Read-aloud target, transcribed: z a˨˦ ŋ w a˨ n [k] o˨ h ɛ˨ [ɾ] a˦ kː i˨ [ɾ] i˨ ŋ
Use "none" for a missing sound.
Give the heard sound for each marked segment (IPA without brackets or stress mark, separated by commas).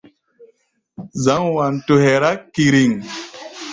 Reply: t, ɾ, ɾ